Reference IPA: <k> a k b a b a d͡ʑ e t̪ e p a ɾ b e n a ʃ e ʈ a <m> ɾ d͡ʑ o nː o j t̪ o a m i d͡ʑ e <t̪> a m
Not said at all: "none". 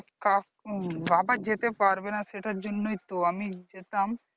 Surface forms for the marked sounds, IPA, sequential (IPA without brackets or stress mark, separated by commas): k, none, t̪